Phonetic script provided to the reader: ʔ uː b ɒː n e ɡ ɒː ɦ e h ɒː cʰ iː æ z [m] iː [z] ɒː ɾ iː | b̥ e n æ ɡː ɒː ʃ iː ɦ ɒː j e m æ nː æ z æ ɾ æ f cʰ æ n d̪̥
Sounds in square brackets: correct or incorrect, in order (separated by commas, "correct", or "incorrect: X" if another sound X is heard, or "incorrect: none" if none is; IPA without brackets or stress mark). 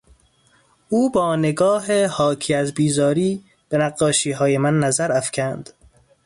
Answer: incorrect: b, correct